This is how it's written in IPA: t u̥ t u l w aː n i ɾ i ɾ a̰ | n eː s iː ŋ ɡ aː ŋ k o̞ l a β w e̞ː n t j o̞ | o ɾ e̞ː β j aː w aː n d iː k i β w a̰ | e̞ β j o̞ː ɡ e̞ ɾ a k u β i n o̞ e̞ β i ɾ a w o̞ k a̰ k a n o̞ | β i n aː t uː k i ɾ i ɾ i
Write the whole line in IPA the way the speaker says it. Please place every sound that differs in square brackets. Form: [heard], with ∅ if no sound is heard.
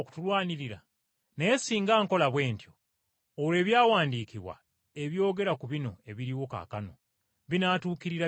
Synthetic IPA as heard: [k] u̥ t u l w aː n i ɾ i ɾ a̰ | n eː s iː ŋ ɡ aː ŋ k o̞ l a β w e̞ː n t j o̞ | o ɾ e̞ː β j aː w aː n d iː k i β w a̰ | e̞ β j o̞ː ɡ e̞ ɾ a k u β i n o̞ e̞ β i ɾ [i] w o̞ k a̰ k a n o̞ | β i n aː t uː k i ɾ i ɾ [a]